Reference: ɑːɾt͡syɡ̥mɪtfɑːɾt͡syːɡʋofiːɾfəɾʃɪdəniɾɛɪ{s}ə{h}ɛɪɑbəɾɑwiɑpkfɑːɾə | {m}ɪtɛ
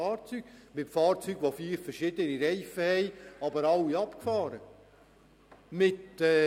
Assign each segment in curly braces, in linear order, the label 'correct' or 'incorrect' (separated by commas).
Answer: incorrect, correct, correct